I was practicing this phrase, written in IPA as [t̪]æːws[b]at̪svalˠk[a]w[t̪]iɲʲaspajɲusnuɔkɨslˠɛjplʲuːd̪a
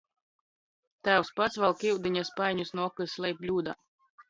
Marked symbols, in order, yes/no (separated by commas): yes, no, no, no